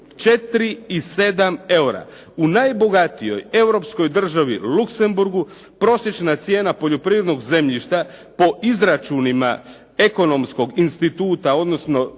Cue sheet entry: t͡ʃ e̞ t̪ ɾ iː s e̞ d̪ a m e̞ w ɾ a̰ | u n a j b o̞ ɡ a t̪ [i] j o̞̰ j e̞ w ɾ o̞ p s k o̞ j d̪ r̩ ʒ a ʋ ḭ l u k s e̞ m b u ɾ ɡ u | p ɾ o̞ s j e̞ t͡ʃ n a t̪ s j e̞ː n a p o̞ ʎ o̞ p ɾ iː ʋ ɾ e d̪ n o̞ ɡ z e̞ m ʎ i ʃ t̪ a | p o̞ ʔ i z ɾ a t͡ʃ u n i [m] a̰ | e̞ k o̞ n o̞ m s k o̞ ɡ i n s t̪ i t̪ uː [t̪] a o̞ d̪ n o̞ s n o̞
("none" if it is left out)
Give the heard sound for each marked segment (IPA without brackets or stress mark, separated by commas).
i, m, t̪